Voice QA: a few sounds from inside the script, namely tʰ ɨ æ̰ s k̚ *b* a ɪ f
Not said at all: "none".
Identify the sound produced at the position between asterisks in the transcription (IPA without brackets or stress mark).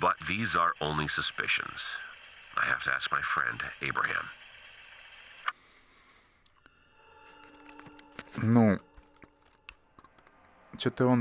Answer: m